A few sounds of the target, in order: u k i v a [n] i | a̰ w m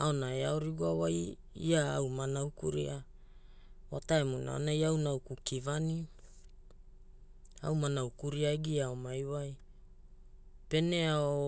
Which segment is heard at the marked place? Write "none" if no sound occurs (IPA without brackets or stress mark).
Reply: n